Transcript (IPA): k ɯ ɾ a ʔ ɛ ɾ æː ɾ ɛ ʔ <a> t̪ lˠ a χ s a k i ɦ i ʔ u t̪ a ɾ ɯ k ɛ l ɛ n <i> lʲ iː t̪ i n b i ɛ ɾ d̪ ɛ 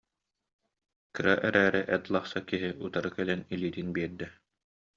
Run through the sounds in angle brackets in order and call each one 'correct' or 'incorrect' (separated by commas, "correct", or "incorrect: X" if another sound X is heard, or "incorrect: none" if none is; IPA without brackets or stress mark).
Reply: incorrect: ɛ, correct